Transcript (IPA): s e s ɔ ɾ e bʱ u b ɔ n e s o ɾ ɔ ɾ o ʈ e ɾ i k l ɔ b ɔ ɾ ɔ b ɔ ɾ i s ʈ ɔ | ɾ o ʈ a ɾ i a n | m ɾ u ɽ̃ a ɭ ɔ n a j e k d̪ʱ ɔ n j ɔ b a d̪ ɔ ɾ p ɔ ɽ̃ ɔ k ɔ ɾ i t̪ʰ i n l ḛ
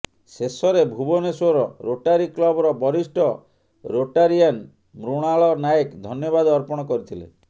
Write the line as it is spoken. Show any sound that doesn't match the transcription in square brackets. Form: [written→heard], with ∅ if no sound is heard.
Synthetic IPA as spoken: s e s ɔ ɾ e bʱ u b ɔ n e s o ɾ ɔ ɾ o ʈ [e→a] ɾ i k l ɔ b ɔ ɾ ɔ b ɔ ɾ i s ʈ ɔ | ɾ o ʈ a ɾ i a n | m ɾ u ɽ̃ a ɭ ɔ n a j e k d̪ʱ ɔ n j ɔ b a d̪ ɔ ɾ p ɔ ɽ̃ ɔ k ɔ ɾ i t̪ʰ i [n→∅] l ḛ